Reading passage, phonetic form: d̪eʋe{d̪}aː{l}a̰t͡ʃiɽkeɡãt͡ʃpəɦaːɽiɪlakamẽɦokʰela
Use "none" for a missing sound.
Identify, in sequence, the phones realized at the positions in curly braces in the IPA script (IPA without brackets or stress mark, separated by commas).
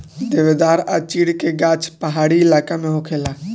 d̪, ɾ